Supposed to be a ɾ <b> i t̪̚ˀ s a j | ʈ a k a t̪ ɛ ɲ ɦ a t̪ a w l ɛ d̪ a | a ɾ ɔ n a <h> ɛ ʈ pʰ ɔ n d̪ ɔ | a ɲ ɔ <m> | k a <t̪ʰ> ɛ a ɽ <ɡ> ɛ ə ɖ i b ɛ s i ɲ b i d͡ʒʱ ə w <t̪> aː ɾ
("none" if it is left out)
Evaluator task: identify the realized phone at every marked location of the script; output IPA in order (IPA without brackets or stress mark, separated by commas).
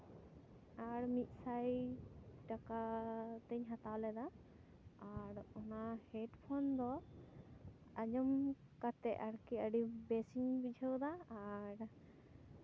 m, h, m, t̪, k, d̪